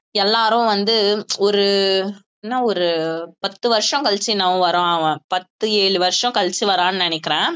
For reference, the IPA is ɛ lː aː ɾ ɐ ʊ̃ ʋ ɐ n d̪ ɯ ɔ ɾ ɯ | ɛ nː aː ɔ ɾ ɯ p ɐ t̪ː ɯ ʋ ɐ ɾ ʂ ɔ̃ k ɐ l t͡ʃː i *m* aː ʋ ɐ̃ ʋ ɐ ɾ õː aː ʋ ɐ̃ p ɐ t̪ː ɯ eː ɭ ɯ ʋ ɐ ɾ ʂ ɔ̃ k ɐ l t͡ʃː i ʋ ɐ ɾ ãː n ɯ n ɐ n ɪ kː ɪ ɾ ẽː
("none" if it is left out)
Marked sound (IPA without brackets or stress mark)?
n